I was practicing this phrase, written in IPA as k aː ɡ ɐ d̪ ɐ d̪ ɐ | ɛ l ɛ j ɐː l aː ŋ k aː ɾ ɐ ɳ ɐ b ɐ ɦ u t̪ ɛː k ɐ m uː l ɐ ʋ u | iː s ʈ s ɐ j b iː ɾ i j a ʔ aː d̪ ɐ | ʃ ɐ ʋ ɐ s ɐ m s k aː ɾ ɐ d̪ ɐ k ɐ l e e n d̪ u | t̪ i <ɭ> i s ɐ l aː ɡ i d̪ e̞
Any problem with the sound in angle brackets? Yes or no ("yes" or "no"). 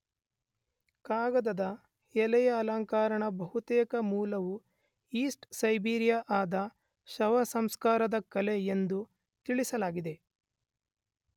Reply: no